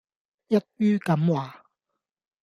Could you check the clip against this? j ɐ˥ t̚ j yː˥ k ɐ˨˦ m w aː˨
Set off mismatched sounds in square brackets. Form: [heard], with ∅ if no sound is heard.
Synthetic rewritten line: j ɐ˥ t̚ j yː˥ k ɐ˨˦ m w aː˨